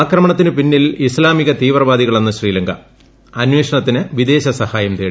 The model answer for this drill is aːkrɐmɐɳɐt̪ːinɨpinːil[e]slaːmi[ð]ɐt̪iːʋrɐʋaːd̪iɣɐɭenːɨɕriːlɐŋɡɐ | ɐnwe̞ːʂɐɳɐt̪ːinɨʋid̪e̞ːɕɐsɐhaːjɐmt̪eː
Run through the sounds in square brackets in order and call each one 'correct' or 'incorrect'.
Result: incorrect, incorrect

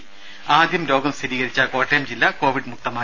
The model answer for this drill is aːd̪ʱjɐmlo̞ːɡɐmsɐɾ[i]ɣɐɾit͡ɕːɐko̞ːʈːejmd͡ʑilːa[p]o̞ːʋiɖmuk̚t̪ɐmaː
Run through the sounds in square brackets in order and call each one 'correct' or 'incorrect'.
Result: incorrect, incorrect

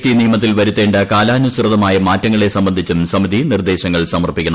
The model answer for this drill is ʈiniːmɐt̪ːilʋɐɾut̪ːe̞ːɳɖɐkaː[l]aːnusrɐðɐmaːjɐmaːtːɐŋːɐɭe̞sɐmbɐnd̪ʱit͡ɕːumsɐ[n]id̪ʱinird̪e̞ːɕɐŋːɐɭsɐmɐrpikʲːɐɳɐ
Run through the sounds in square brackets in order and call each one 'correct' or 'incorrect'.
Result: correct, incorrect

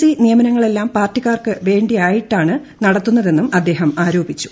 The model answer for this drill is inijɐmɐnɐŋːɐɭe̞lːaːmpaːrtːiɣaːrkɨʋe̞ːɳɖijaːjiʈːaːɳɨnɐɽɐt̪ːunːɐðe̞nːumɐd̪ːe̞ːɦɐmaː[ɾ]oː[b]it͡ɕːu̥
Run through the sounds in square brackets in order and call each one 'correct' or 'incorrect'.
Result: correct, correct

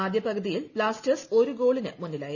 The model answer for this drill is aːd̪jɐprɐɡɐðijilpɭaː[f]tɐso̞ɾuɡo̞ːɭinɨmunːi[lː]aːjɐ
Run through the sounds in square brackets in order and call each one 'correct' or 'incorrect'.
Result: incorrect, incorrect

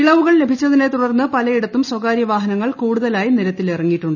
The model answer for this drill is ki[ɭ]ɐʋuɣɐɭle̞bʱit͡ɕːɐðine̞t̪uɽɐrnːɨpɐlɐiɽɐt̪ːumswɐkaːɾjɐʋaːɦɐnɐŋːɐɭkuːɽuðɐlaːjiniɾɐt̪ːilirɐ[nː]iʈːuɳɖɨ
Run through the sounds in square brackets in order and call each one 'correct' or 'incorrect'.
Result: correct, incorrect

